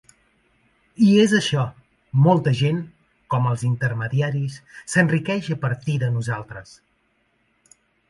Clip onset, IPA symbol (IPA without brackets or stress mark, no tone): i